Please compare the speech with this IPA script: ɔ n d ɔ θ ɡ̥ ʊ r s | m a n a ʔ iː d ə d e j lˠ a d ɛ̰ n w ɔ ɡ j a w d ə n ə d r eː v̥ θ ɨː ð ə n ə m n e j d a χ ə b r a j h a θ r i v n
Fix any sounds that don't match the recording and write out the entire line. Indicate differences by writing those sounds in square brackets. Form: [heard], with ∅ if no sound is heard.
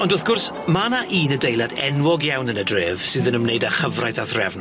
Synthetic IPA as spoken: ɔ n d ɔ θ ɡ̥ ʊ r s | m a n a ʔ iː [n] ə d e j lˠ a d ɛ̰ n w ɔ ɡ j a w [n] ə n ə d r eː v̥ [s] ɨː ð ə n ə m n e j d a χ ə [v] r a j [θ] a θ r [ɛ] v n

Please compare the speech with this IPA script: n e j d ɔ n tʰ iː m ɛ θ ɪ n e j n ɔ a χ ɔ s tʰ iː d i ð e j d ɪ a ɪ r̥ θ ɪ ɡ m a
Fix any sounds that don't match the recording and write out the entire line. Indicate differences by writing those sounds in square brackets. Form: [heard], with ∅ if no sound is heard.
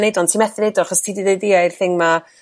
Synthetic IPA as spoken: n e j d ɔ n tʰ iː m ɛ θ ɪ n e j [d] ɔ a χ ɔ s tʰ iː d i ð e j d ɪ a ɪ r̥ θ ɪ [ŋ] m a

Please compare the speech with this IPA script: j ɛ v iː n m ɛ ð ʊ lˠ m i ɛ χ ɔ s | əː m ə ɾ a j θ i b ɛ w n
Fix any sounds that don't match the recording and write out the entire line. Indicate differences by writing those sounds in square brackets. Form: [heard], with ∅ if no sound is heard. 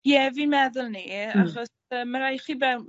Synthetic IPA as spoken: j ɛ v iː n m ɛ ð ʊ lˠ [n] i [a] χ ɔ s | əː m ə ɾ a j [χ] i b ɛ w n

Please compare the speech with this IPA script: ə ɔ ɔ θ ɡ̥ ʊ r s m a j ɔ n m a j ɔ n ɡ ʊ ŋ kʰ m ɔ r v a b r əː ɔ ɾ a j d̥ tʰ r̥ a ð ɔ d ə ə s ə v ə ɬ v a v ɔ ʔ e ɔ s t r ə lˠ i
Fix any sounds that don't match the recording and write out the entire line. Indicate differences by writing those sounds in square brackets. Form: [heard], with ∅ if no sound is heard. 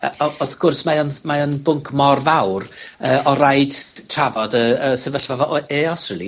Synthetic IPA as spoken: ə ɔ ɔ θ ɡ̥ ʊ r s m a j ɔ n m a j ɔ n [b] ʊ ŋ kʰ m ɔ r v a [w] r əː ɔ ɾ a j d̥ tʰ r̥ a [v] ɔ d ə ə s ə v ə ɬ v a v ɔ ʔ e ɔ s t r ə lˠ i

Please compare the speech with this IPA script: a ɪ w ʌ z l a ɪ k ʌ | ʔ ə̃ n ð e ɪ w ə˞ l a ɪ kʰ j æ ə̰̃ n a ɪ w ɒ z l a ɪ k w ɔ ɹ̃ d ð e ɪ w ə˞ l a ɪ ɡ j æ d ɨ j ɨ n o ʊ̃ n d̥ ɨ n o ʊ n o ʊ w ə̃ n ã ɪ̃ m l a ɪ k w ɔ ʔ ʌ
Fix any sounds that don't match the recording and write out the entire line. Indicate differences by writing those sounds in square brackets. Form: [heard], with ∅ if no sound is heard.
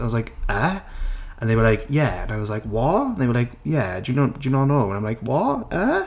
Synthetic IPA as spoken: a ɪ w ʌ z l a ɪ k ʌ | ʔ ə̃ n ð e ɪ w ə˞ l a ɪ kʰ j æ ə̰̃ n a ɪ w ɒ z l a ɪ k w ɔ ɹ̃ [n] ð e ɪ w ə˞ l a ɪ [k] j æ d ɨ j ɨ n o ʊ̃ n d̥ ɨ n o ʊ n o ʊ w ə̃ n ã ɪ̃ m l a ɪ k w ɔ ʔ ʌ

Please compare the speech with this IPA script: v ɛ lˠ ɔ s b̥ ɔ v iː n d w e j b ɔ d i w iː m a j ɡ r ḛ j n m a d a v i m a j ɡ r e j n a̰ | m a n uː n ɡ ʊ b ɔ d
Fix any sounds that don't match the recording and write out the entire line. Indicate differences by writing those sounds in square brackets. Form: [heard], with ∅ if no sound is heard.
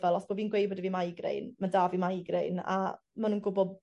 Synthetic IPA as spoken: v ɛ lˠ ɔ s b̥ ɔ v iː n [ɡ] w e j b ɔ d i [v] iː m a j ɡ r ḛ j n m a d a v i m a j ɡ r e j n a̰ | m a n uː n ɡ ʊ b ɔ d

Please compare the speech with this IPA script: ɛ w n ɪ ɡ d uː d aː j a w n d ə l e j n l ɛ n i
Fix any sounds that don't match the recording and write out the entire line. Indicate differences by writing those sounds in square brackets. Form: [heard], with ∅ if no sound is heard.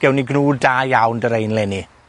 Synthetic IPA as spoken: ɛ w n [i] ɡ [n] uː d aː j a w n d ə [ɾ] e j n l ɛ n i

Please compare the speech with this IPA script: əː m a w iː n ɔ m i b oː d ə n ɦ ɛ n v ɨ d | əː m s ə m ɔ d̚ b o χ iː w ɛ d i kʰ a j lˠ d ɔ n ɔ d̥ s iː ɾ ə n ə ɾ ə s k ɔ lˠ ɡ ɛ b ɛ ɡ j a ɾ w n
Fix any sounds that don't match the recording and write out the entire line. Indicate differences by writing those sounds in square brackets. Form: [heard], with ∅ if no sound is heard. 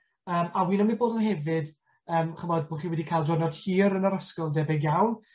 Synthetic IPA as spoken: əː m a w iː n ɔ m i b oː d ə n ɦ ɛ [∅] v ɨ d | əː m [χ] ə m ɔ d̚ b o χ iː w ɛ d i kʰ a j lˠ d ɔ n ɔ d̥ [h] iː ɾ ə n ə ɾ ə s k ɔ lˠ [d] ɛ b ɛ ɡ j a [∅] w n

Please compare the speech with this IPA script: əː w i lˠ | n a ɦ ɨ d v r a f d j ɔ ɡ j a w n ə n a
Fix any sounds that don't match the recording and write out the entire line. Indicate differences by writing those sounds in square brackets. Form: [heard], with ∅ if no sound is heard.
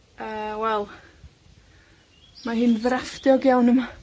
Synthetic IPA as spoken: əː w [ɛ] lˠ | [m] a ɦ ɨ [n] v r a f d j ɔ ɡ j a w n ə [m] a

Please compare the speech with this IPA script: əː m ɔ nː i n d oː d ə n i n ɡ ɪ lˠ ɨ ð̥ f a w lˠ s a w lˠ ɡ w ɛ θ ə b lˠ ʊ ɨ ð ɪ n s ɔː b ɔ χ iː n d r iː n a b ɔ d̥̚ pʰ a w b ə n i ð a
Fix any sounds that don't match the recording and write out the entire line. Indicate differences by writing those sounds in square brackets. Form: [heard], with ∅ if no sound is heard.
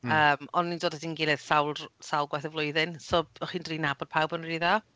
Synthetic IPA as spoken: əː m ɔ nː i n d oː d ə [d] i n ɡ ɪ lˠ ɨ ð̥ [s] a w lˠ s a w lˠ ɡ w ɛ θ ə [v] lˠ ʊ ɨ ð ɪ n s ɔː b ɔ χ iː n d r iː n a b ɔ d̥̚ pʰ a w b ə n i ð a

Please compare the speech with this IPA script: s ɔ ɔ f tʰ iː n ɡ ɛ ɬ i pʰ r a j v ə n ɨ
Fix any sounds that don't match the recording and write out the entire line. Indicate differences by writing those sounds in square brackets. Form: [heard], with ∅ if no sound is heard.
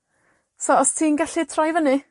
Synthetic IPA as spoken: s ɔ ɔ [s] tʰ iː n ɡ [a] ɬ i [tʰ] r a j v ə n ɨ

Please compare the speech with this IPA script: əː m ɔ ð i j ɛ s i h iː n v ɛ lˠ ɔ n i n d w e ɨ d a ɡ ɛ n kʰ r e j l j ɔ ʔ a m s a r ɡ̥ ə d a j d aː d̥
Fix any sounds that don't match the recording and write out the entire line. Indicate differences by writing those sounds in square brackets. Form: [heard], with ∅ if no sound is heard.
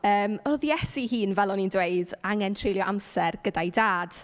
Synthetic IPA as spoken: əː m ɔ ð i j ɛ s i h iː n v ɛ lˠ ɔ n i n d w e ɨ d a [ŋ] ɛ n [tʰ] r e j l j ɔ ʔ a m s [ɛ] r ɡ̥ ə d a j d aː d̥

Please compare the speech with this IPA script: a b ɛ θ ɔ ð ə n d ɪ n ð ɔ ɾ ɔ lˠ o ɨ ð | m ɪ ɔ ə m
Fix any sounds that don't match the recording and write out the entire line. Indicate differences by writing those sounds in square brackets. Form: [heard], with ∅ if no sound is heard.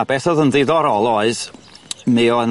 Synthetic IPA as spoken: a b ɛ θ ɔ ð ə n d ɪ [∅] ð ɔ ɾ ɔ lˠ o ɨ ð | m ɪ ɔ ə [n]

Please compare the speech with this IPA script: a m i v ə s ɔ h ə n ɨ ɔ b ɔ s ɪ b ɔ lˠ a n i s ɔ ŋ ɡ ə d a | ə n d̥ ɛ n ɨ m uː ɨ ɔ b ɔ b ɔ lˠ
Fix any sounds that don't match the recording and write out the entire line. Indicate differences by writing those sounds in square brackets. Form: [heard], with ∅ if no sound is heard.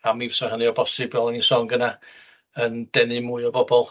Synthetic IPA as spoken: a m i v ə s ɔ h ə n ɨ ɔ b ɔ s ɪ b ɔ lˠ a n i s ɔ ŋ ɡ ə [n] a | ə n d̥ ɛ n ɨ m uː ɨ ɔ b ɔ b ɔ lˠ

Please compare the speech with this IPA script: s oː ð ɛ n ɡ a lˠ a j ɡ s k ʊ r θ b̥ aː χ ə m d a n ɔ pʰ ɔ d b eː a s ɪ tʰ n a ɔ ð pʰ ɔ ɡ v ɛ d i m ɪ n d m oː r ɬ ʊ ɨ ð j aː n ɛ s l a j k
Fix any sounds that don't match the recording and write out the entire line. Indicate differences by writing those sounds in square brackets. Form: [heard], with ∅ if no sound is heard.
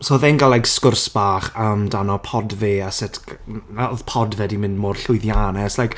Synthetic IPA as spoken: s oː ð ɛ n ɡ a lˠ a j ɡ s k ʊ r [s] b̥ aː χ ə m d a n ɔ pʰ ɔ d [v] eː a s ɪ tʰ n a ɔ ð pʰ ɔ [d] v ɛ d i m ɪ n d m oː r ɬ ʊ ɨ ð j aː n ɛ s l a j k

